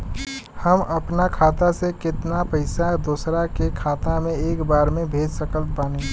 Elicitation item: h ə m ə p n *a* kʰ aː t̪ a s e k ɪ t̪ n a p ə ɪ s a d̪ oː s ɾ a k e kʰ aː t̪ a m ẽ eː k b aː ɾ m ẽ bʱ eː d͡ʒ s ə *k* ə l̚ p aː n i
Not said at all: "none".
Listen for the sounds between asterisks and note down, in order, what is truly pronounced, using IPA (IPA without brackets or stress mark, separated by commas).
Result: a, k